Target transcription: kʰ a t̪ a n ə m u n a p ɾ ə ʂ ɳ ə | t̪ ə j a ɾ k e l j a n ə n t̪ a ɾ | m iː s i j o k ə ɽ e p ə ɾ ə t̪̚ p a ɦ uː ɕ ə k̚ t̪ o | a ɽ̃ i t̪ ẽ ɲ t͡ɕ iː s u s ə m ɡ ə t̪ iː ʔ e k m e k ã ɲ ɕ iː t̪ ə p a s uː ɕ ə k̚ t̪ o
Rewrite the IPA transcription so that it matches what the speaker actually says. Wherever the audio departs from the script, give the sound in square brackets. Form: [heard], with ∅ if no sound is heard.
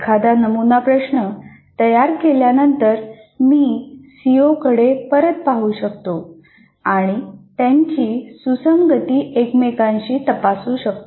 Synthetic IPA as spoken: kʰ a [d̪] a n ə m u n a p ɾ ə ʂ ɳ ə | t̪ ə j a ɾ k e l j a n ə n t̪ [ə] ɾ | m iː s i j o k ə ɽ e p ə ɾ ə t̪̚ p a ɦ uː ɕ ə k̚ t̪ o | a ɽ̃ i t̪ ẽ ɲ t͡ɕ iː s u s ə m ɡ ə t̪ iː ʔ e k m e k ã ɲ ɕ iː t̪ ə p a s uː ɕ ə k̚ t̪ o